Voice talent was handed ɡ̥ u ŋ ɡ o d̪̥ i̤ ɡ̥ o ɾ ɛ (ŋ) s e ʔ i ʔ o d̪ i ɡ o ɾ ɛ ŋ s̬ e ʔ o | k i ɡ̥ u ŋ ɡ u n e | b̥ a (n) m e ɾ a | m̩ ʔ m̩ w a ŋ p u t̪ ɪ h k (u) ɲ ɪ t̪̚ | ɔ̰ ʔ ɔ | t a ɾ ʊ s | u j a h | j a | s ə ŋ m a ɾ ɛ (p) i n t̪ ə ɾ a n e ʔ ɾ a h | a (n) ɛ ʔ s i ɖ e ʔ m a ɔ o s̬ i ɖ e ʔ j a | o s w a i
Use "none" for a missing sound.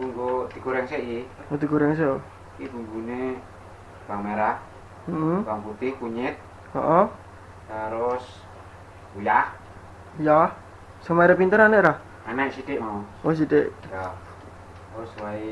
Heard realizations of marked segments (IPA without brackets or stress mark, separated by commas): ŋ, ŋ, u, p, n